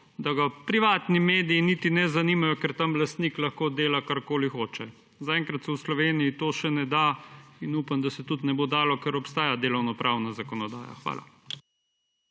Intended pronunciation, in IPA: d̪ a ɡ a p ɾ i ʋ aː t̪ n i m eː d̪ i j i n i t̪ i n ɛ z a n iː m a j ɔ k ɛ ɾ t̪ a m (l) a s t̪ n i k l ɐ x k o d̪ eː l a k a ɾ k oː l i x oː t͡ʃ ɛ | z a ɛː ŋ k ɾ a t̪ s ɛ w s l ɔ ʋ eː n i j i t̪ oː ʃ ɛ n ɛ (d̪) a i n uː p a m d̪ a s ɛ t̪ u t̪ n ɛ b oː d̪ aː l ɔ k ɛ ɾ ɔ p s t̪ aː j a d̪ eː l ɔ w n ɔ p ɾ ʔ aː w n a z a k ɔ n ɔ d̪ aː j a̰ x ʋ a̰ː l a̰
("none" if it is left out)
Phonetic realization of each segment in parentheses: l, d̪

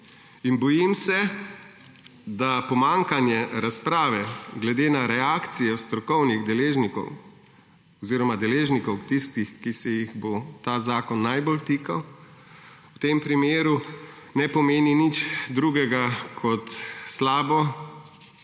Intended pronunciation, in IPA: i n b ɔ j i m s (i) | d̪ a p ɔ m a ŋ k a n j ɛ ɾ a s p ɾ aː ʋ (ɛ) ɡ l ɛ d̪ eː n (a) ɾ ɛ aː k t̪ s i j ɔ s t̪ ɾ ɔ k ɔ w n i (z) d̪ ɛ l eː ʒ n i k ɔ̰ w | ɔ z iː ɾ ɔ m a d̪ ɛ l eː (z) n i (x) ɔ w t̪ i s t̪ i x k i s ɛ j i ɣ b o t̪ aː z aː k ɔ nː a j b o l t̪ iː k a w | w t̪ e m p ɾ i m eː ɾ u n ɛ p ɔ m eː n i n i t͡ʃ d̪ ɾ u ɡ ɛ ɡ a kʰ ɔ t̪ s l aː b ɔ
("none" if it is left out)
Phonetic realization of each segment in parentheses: ɛ, ɛ, a, ɣ, ʒ, k

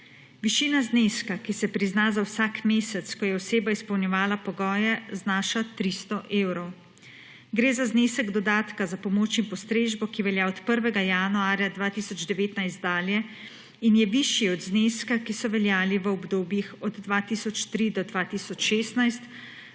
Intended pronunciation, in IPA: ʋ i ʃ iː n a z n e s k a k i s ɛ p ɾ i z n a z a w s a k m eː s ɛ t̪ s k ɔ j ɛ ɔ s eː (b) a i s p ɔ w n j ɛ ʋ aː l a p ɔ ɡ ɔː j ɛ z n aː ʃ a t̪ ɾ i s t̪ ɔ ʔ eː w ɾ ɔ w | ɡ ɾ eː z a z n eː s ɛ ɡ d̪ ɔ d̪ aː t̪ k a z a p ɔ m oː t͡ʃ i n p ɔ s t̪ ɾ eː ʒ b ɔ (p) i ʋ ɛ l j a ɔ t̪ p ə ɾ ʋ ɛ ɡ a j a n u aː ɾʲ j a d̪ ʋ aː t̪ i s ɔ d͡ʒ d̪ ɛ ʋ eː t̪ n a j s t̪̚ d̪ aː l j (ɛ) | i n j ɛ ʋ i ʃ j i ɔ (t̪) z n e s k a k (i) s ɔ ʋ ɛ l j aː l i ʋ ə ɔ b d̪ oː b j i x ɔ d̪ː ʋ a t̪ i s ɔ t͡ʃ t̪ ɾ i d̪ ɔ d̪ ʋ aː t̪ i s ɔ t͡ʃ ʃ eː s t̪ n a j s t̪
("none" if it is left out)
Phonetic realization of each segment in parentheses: b, k, ɛ, d̪, i

